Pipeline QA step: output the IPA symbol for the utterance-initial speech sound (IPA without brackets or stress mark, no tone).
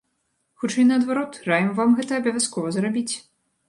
x